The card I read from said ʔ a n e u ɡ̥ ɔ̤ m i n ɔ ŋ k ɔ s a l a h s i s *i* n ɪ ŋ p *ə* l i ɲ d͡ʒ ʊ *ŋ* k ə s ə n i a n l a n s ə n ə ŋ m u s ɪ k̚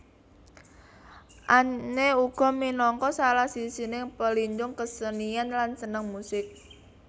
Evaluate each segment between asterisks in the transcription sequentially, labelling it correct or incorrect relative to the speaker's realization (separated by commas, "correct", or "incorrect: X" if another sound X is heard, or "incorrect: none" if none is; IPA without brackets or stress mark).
correct, correct, correct